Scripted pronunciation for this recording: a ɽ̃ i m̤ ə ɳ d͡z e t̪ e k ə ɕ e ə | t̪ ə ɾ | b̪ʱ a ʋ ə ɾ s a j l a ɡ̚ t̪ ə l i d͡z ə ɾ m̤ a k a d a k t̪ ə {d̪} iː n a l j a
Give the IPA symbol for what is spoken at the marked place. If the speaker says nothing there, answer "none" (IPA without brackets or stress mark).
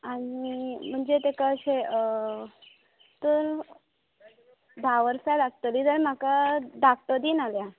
d̪